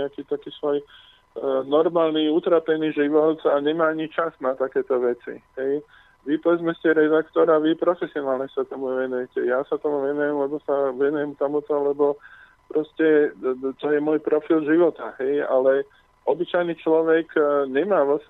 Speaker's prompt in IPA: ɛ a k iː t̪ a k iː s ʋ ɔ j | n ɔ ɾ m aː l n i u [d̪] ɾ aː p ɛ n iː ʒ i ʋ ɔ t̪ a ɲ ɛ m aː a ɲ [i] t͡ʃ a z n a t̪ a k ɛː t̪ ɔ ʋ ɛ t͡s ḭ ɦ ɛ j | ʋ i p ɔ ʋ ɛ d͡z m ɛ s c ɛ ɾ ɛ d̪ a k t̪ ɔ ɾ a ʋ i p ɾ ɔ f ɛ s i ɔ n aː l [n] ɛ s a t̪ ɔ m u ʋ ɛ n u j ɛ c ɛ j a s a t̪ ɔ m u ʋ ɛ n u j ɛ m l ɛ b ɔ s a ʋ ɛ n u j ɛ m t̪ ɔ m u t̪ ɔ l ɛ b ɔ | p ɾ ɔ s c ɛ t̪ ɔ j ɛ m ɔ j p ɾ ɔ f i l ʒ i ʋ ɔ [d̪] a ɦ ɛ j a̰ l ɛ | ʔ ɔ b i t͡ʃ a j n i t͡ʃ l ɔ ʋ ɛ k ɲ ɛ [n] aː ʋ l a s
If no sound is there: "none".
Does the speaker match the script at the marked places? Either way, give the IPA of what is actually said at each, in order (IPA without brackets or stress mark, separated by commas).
t̪, i, ɲ, t̪, m